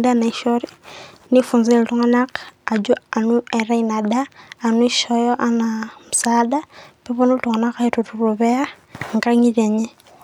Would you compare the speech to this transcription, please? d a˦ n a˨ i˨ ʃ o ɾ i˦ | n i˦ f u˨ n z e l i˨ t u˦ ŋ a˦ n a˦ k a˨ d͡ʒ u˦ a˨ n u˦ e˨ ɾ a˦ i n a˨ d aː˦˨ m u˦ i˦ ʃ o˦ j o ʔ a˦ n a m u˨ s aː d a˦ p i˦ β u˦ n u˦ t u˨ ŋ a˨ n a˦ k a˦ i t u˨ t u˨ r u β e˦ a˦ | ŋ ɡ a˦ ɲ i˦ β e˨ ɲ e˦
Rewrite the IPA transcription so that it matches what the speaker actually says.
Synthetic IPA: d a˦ n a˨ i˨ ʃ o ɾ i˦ | n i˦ f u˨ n z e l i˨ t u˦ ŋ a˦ n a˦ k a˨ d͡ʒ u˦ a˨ n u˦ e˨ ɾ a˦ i n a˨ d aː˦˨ n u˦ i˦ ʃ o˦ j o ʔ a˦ n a m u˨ s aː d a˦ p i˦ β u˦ n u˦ t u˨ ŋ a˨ n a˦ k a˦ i t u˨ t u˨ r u β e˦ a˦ | ŋ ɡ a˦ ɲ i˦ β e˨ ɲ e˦